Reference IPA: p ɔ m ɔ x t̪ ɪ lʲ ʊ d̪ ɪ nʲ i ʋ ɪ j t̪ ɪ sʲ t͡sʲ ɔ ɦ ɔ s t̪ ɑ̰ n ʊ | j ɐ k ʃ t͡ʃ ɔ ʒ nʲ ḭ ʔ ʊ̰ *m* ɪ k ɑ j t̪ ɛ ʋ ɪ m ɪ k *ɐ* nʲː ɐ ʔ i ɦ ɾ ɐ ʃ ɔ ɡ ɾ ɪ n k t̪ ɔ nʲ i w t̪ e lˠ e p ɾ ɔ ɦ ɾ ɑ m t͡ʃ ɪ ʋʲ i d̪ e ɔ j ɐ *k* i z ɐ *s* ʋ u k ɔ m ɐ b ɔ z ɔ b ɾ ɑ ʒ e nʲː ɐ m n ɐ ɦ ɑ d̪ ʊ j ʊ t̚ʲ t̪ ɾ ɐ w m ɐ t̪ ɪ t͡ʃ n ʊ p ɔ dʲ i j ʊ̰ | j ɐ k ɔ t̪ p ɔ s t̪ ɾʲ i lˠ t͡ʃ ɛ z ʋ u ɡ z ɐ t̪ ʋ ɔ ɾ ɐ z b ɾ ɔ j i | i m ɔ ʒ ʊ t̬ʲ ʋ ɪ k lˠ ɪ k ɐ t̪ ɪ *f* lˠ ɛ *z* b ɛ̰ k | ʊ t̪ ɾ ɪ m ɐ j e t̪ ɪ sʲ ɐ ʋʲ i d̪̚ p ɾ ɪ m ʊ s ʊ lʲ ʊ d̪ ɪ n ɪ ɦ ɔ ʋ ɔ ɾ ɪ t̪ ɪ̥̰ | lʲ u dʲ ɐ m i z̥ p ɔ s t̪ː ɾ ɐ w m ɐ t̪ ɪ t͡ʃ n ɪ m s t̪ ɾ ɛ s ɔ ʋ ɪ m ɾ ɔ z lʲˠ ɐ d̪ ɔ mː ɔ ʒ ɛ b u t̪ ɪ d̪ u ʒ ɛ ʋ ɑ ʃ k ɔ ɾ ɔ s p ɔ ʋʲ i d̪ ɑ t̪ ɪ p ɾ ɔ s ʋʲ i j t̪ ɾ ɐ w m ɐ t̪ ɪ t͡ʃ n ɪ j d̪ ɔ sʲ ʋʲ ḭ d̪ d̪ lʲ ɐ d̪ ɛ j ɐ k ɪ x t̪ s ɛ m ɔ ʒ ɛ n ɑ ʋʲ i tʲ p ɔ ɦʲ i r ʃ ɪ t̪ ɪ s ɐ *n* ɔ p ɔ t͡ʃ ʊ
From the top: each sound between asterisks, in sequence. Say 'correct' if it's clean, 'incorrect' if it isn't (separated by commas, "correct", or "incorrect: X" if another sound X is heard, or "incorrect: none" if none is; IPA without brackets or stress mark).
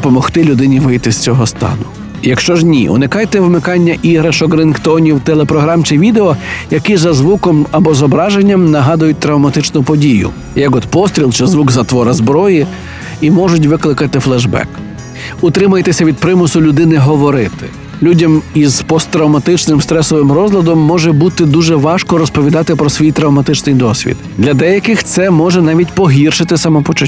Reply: incorrect: n, incorrect: ɑ, correct, incorrect: z, correct, incorrect: ʒ, incorrect: m